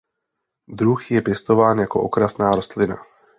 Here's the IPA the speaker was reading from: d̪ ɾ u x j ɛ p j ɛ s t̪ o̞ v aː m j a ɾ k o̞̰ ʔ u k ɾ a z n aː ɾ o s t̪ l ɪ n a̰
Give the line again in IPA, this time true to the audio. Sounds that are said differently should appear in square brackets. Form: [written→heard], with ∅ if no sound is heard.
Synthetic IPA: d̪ ɾ u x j ɛ p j ɛ s t̪ o̞ v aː [m→n] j a [ɾ→∅] k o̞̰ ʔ [u→o] k ɾ a [z→s] n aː ɾ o s t̪ l ɪ n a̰